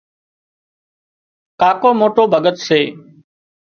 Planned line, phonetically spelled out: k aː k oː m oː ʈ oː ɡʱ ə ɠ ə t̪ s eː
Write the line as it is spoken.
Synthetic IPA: k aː k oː m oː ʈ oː bʱ ə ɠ ə t̪ s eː